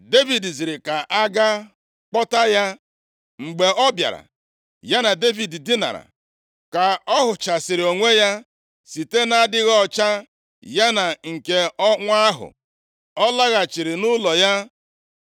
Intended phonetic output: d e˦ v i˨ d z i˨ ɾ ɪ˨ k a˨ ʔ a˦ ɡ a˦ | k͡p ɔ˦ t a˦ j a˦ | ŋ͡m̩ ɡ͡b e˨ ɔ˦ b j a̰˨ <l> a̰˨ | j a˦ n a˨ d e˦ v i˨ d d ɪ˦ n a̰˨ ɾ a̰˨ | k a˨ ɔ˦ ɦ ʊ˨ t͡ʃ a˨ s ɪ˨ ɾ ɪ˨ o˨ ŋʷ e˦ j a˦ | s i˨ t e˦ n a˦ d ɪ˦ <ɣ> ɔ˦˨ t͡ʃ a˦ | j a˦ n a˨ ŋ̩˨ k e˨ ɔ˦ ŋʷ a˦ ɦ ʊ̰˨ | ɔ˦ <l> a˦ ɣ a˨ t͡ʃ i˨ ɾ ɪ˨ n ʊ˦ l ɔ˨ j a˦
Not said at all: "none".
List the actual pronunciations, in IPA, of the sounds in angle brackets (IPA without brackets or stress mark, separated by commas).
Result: ɾ, ɣ, l